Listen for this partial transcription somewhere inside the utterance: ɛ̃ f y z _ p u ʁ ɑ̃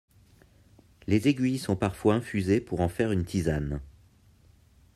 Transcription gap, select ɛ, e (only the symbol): e